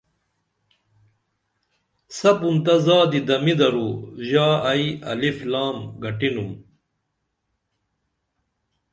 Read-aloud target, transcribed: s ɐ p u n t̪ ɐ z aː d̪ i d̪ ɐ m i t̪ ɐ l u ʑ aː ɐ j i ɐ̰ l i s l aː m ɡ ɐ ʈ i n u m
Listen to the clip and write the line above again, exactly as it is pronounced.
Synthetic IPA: s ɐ p u n t̪ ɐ z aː d̪ i d̪ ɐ m i d̪ ɐ ɾ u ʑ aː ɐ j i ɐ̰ l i f l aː m ɡ ɐ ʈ i n u m